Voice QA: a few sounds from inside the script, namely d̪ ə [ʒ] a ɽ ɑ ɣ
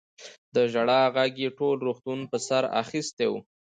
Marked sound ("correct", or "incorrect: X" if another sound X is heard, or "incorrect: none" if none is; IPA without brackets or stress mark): correct